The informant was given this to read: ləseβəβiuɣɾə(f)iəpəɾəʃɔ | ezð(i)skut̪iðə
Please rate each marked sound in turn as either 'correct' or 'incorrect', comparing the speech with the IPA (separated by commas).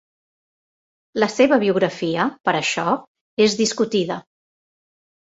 correct, correct